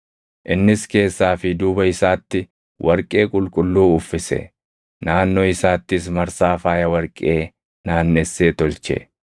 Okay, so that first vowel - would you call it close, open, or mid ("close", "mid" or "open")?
close